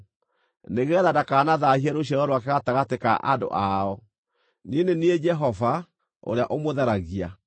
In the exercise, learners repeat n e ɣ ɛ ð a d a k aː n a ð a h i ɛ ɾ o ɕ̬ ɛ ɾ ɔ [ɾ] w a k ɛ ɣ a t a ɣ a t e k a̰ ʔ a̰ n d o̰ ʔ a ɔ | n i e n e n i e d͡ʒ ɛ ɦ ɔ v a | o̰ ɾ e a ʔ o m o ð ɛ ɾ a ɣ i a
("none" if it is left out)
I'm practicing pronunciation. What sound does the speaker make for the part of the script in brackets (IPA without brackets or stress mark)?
ɾ